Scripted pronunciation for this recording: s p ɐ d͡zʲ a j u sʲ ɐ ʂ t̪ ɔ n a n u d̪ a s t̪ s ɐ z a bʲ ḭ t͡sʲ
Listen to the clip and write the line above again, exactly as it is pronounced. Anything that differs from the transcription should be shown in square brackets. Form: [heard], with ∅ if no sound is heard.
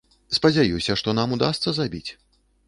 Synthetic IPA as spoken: s p ɐ d͡zʲ a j u sʲ ɐ ʂ t̪ ɔ n a [m] u d̪ a s t̪ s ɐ z a bʲ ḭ t͡sʲ